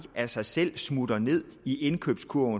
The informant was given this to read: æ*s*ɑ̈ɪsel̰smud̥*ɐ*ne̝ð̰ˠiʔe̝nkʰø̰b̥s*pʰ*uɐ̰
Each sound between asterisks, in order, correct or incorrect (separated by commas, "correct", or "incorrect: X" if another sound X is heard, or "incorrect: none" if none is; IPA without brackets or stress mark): correct, correct, incorrect: kʰ